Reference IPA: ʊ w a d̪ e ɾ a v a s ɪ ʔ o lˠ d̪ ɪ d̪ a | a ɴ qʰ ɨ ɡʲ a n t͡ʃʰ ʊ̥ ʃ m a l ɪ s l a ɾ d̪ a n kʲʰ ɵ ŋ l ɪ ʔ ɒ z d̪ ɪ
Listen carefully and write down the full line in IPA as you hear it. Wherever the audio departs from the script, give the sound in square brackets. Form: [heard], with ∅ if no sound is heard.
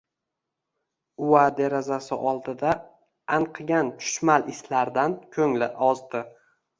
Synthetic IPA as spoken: ʊ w a d̪ e ɾ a [z] a s ɪ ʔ [ɒ] lˠ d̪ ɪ d̪ a | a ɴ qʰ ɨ ɡʲ a n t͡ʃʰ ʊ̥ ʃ m a l ɪ s l a ɾ d̪ a n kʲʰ ɵ ŋ l ɪ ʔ ɒ z d̪ ɪ